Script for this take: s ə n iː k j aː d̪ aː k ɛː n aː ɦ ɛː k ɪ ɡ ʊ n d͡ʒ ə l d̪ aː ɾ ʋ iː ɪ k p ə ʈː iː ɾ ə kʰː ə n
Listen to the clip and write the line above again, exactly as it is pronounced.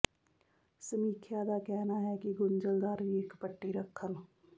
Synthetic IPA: s ə m iː kʰ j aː d̪ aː k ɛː n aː ɦ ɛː k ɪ ɡ ʊ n d͡ʒ ə l d̪ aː ɾ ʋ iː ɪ k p ə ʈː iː ɾ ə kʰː ə n